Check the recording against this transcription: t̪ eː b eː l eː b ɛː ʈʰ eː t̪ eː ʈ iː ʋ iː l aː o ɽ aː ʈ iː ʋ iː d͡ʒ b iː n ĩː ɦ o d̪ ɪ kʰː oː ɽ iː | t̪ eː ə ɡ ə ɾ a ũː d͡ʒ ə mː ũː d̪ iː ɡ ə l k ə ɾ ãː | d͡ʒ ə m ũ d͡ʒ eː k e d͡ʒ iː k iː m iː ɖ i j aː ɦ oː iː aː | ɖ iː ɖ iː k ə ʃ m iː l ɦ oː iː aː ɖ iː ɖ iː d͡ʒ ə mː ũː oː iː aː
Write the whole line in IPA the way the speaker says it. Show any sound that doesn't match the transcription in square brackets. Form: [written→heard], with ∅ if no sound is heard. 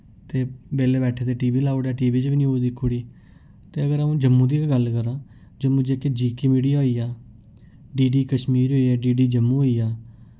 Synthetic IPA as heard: t̪ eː b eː l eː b ɛː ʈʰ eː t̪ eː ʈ iː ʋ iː l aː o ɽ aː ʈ iː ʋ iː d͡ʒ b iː n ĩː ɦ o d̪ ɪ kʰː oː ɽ iː | t̪ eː ə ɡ ə ɾ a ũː d͡ʒ ə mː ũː d̪ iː ɡ ə l k ə ɾ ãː | d͡ʒ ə m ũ d͡ʒ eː k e d͡ʒ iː k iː m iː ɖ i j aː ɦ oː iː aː | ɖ iː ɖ iː k ə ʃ m iː [l→ɾ] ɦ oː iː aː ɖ iː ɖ iː d͡ʒ ə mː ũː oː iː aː